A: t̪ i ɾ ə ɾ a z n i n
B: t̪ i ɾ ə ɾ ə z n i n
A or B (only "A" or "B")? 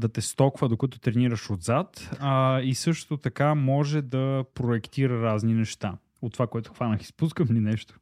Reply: A